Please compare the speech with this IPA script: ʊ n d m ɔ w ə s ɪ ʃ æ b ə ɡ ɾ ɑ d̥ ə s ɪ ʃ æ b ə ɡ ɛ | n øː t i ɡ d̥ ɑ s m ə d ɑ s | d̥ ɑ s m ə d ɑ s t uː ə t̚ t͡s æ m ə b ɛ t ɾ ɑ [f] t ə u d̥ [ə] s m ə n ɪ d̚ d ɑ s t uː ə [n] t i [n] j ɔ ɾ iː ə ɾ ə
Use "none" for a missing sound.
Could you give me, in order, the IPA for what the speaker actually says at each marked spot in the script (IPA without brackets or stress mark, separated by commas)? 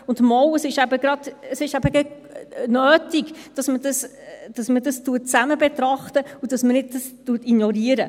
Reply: χ, ɑ, none, n